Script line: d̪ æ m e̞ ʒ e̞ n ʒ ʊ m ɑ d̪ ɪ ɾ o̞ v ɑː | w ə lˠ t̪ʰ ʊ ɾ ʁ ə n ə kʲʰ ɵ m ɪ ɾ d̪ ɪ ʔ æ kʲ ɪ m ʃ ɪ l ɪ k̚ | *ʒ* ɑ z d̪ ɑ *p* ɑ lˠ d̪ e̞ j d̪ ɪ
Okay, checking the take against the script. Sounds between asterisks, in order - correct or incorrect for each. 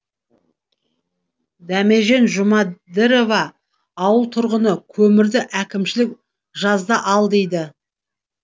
correct, incorrect: ʔ

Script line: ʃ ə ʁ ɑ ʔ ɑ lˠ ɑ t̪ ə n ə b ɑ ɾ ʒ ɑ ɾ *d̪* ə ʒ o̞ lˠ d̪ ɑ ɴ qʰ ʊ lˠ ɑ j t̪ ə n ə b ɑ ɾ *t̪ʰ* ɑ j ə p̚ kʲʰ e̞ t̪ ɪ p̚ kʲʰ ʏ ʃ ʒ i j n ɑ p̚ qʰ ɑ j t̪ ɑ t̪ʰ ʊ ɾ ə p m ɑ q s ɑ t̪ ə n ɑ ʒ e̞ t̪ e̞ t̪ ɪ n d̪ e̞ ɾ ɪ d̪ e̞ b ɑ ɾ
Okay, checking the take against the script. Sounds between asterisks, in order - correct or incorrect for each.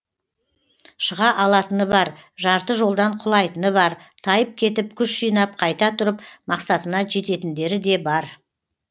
incorrect: t̪, correct

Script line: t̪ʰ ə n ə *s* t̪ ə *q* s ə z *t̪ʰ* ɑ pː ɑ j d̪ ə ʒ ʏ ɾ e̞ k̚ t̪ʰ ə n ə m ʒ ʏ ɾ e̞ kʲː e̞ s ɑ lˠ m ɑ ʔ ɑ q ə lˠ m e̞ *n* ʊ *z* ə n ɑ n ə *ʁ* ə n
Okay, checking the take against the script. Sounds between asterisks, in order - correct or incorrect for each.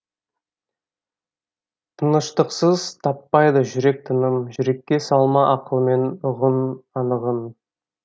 incorrect: ʃ, correct, correct, correct, incorrect: ʁ, correct

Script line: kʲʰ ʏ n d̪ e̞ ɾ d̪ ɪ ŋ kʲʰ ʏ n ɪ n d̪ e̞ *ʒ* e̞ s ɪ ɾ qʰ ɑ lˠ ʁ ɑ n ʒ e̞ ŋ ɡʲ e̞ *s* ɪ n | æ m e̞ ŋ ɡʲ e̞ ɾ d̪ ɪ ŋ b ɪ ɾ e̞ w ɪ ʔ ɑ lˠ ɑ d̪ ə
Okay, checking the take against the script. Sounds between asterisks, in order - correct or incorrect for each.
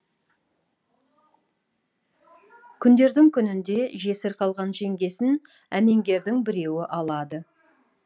correct, correct

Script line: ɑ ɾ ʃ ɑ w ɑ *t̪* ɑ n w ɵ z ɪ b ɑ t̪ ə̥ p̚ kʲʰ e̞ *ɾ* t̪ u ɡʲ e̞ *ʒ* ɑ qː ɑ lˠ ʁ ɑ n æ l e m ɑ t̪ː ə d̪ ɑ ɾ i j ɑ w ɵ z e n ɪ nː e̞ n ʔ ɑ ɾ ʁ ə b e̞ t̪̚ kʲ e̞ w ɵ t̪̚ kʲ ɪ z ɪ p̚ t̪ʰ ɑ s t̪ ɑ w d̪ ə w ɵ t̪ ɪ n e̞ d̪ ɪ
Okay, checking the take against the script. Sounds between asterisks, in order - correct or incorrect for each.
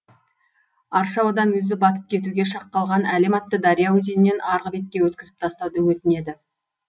incorrect: d̪, incorrect: none, incorrect: ʃ

